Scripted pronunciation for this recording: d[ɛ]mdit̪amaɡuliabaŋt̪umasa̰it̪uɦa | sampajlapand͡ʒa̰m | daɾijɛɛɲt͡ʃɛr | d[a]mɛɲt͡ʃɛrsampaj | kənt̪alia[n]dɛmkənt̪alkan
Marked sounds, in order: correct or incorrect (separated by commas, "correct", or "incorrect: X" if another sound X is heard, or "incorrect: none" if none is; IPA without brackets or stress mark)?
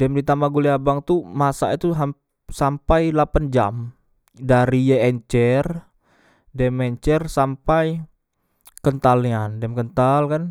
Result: correct, incorrect: ɛ, correct